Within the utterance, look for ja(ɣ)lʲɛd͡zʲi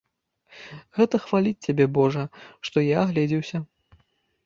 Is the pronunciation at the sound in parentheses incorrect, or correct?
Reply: correct